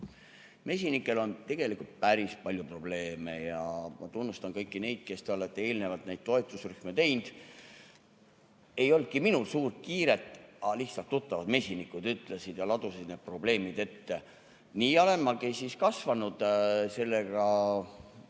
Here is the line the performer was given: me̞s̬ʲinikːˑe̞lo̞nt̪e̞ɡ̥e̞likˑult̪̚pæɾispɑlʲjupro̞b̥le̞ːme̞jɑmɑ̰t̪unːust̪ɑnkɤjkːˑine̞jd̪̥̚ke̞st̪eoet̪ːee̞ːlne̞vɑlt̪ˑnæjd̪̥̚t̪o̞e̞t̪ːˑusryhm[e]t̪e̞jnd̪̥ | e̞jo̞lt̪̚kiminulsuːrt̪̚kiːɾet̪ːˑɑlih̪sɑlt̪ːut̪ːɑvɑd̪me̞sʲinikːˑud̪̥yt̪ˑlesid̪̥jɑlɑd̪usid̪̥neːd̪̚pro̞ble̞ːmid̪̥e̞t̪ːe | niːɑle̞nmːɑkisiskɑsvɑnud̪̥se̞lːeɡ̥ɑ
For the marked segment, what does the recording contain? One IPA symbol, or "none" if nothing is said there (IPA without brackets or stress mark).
e